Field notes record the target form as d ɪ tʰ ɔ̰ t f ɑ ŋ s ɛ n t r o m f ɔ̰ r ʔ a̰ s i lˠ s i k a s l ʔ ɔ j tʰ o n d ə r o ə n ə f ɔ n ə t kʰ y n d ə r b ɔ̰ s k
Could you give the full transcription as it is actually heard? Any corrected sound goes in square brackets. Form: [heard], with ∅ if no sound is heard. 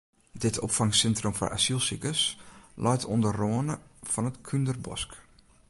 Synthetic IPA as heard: d ɪ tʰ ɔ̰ [p] f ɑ ŋ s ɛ n t r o m f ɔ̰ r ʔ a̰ s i lˠ s i k [ə] s l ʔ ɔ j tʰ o n d ə r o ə n ə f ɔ n ə t kʰ y n d ə r b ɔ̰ s k